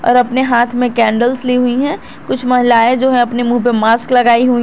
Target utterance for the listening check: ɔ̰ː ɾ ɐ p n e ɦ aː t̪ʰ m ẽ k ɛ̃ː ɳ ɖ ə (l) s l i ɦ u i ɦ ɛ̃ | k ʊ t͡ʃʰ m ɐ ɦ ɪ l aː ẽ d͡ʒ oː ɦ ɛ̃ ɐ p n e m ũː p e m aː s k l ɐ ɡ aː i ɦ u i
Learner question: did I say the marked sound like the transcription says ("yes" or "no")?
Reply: yes